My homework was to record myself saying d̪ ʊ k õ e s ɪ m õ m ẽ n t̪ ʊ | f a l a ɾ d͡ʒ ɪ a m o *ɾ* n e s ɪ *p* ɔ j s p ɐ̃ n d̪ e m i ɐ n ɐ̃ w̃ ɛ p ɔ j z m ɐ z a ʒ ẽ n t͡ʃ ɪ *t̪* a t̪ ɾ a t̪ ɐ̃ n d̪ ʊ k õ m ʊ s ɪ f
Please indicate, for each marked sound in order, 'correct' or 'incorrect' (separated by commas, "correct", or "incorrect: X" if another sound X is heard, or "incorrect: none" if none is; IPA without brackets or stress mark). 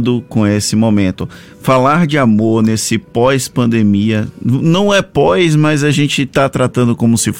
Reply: correct, correct, correct